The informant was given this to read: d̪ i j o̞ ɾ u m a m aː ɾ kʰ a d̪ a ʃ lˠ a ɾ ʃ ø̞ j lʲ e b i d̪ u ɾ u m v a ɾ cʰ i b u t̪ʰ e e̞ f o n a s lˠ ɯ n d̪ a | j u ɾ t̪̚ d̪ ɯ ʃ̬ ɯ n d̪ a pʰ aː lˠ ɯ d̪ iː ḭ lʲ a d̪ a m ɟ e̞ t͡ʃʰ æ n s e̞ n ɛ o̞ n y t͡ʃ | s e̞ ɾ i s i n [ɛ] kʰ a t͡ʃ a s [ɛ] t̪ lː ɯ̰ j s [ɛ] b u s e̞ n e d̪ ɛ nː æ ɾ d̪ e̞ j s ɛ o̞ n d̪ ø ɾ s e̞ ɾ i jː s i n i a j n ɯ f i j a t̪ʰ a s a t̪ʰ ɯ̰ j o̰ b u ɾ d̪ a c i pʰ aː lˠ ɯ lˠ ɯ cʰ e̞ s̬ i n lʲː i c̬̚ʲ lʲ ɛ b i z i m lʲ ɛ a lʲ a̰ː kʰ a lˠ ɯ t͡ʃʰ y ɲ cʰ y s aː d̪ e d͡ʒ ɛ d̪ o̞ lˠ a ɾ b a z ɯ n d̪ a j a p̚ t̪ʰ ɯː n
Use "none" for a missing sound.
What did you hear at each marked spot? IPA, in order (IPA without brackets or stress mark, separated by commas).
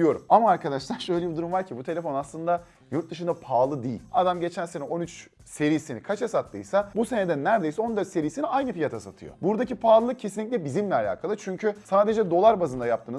i, a, a